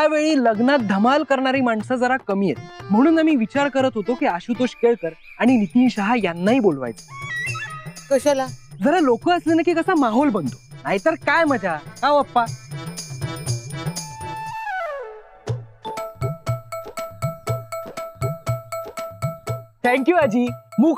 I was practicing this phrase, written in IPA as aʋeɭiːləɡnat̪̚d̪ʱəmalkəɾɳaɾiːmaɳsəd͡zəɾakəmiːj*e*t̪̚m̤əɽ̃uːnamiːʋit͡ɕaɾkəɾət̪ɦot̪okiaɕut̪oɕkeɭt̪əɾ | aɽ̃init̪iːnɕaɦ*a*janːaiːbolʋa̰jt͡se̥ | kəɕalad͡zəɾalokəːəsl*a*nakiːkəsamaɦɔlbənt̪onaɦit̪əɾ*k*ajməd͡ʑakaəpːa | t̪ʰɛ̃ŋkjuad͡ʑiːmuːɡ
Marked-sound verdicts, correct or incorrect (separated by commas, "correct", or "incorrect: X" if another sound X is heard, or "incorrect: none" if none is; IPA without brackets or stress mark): correct, correct, incorrect: e, correct